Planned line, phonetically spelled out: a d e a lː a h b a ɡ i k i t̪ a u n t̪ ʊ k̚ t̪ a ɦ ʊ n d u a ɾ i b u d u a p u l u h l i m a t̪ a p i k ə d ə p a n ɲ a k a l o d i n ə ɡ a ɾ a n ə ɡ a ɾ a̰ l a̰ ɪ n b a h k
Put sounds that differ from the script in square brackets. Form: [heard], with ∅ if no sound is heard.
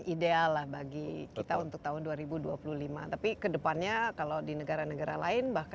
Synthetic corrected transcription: [i] d e a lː a h b a ɡ i k i t̪ a u n t̪ ʊ k̚ t̪ a ɦ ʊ n d u a ɾ i b u d u a p u l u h l i m a t̪ a p i k ə d ə p a n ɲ a k a l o d i n ə ɡ a ɾ a n ə ɡ a ɾ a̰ l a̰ ɪ n b a h k